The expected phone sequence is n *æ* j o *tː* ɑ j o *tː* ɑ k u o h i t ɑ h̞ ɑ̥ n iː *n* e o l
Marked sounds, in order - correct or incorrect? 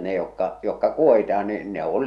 incorrect: e, incorrect: kː, incorrect: kː, correct

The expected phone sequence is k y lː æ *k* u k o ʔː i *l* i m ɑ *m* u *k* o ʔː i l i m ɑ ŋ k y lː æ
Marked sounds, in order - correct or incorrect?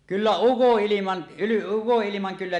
incorrect: none, correct, incorrect: n, correct

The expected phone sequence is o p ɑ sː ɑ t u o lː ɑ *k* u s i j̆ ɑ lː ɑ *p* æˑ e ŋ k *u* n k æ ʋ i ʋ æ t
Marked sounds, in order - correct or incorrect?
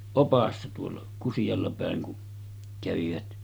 correct, correct, correct

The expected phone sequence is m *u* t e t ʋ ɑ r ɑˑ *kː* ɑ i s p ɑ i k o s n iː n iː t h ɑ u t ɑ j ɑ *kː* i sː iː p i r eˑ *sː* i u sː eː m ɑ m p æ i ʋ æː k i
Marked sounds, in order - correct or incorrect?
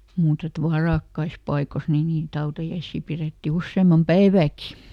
incorrect: uː, correct, incorrect: none, incorrect: tː

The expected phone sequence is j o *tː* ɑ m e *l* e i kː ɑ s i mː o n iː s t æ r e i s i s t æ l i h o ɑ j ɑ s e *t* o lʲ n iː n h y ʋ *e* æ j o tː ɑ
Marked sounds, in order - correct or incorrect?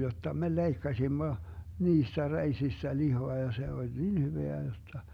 correct, correct, incorrect: none, correct

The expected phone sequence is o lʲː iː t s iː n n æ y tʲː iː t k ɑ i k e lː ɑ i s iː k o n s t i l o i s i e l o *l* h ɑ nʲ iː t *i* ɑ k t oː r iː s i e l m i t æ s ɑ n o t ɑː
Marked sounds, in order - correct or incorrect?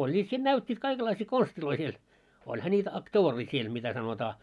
correct, incorrect: æ

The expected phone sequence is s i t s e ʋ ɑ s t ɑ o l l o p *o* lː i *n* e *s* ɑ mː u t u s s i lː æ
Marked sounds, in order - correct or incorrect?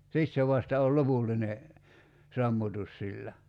incorrect: u, correct, correct

